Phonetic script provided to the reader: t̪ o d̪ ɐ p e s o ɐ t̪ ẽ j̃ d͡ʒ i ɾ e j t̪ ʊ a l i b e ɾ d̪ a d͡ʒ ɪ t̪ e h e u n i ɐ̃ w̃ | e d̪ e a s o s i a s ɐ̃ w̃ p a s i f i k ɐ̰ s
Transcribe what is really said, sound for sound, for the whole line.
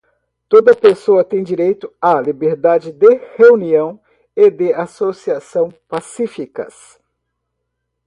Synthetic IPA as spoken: t̪ o d̪ ɐ p e s o ɐ t̪ ẽ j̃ d͡ʒ i ɾ e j t̪ ʊ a l i b e ɾ d̪ a d͡ʒ ɪ d̪ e h e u n i ɐ̃ w̃ | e d̪ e a s o s i a s ɐ̃ w̃ p a s i f i k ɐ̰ s